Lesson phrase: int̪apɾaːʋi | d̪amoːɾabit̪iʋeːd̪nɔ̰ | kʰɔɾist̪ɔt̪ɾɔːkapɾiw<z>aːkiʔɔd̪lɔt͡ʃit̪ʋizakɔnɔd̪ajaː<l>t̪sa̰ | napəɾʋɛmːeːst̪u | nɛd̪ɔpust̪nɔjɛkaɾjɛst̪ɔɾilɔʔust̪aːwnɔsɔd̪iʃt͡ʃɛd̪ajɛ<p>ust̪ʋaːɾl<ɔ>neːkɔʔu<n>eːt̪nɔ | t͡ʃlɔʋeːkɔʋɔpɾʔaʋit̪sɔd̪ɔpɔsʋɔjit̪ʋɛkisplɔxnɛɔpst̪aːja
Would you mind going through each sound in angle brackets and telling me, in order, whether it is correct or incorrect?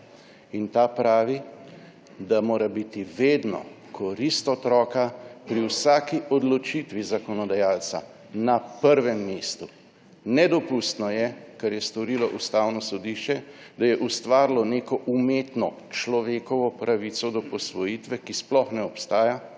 incorrect: s, correct, incorrect: ʔ, correct, incorrect: m

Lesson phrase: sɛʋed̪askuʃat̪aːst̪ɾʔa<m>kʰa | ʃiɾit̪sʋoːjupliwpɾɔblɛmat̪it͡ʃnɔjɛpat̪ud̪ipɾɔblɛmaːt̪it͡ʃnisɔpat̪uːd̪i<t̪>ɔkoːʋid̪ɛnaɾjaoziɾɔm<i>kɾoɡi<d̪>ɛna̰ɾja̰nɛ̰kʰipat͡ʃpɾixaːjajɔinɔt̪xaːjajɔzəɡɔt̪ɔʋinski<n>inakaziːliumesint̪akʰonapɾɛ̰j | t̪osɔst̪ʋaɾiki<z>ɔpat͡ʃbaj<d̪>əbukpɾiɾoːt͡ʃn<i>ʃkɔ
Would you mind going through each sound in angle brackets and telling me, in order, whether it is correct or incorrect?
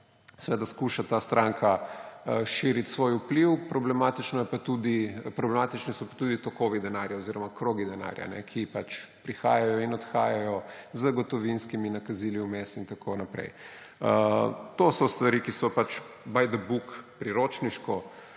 incorrect: ŋ, correct, incorrect: a, correct, incorrect: m, incorrect: s, correct, correct

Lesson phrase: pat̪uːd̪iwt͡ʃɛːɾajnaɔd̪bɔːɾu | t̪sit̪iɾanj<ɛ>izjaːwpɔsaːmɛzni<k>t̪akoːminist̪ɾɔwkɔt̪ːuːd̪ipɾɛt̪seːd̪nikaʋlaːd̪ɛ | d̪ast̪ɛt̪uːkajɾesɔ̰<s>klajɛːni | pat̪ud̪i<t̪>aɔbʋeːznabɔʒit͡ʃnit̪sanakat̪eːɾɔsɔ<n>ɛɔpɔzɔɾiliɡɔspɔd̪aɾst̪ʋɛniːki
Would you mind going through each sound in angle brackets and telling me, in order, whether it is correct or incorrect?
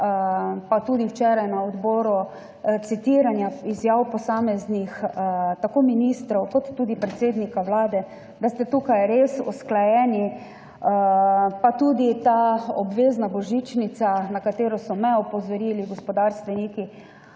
incorrect: a, incorrect: x, correct, correct, incorrect: m

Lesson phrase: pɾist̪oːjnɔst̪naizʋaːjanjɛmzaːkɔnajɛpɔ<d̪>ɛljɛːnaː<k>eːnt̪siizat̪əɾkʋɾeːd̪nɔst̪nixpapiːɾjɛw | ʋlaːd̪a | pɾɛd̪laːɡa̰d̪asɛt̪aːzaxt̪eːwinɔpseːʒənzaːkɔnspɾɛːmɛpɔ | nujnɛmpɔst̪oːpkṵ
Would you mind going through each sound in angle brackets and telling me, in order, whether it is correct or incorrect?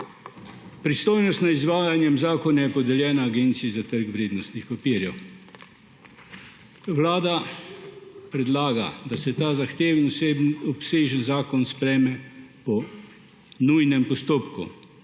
correct, incorrect: ɡ

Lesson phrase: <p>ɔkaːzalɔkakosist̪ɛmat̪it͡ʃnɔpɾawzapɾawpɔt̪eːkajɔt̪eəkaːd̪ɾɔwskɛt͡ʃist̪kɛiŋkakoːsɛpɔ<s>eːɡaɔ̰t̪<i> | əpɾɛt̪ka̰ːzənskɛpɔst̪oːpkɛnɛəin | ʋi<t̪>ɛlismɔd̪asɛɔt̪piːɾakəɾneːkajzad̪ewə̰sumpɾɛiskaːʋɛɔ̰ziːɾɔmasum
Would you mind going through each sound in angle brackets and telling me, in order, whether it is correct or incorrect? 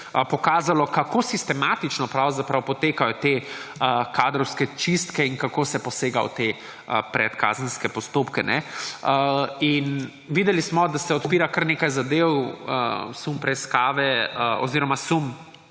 correct, correct, incorrect: e, incorrect: d̪

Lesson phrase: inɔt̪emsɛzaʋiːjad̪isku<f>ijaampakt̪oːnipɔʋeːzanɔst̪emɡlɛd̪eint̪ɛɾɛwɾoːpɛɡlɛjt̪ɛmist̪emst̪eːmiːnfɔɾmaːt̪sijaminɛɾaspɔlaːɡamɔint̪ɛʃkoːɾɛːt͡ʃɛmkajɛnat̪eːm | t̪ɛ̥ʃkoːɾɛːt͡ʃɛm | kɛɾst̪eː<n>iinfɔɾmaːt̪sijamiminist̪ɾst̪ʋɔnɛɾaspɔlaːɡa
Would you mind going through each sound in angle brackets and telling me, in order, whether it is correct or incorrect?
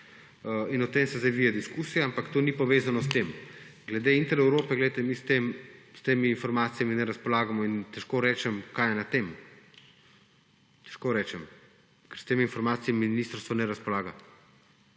incorrect: s, incorrect: m

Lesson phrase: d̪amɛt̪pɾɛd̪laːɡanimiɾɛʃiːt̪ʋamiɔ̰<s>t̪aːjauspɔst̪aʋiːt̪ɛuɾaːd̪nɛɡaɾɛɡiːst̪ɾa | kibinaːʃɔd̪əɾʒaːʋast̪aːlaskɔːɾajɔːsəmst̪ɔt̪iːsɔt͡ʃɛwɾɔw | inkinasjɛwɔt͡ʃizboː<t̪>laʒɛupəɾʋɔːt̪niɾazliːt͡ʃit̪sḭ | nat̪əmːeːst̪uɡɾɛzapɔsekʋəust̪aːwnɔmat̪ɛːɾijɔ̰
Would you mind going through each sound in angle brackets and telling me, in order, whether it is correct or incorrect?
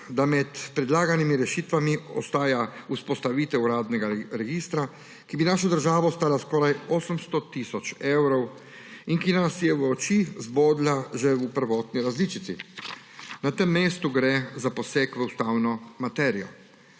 correct, incorrect: d̪

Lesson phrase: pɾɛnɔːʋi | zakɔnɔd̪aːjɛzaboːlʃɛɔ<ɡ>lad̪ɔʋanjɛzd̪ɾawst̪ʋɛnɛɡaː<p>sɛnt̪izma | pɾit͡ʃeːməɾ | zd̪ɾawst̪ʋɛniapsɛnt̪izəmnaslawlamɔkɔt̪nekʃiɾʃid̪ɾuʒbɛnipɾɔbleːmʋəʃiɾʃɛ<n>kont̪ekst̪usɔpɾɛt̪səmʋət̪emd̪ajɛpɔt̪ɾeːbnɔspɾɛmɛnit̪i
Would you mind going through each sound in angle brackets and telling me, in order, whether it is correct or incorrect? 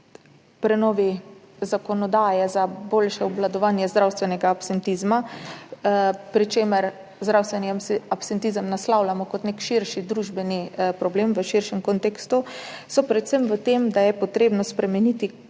incorrect: b, correct, incorrect: m

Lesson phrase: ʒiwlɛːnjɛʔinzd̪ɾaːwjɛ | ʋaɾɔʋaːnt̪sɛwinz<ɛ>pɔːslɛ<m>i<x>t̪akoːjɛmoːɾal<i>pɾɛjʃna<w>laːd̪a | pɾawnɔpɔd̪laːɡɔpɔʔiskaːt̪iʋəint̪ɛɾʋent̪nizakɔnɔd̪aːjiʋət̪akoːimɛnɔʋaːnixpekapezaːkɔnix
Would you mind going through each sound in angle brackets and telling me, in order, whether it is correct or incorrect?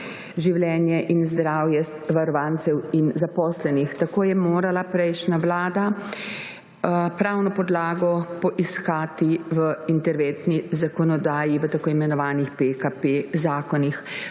incorrect: a, incorrect: n, correct, incorrect: a, incorrect: ʋ

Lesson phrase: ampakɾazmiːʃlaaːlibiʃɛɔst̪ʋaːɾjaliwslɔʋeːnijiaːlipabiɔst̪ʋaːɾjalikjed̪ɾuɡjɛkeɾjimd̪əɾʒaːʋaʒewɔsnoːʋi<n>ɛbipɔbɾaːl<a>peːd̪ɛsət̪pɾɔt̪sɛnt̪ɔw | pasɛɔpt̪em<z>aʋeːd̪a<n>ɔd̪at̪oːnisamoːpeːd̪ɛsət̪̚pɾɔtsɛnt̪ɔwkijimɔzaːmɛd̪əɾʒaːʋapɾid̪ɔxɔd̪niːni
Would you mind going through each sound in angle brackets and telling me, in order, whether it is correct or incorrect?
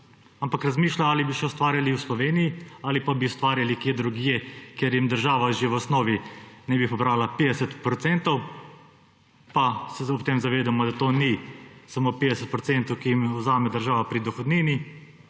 correct, correct, correct, incorrect: m

